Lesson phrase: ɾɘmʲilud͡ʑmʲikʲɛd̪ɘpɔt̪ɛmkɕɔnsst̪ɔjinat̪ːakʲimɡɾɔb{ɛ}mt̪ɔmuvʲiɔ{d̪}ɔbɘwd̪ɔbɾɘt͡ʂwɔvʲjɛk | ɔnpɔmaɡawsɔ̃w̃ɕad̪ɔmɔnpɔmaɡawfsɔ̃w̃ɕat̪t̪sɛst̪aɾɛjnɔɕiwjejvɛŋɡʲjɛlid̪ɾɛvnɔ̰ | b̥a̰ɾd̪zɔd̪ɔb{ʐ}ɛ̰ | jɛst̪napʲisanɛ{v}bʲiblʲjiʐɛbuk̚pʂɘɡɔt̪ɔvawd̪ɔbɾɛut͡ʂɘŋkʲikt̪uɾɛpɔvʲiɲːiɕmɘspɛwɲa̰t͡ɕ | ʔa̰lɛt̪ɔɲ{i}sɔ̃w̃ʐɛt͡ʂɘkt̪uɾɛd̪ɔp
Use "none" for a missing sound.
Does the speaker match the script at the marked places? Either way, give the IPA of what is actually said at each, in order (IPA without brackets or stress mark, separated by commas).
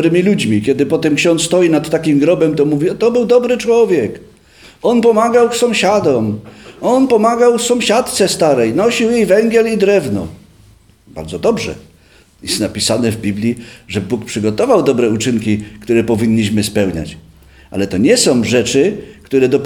ɛ, t̪, ʐ, v, ɛ